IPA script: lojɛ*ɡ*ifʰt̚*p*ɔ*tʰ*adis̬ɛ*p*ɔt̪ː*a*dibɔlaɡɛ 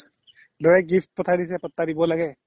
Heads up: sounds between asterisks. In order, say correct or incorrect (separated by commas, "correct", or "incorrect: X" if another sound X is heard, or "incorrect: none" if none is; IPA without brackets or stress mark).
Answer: correct, correct, correct, correct, correct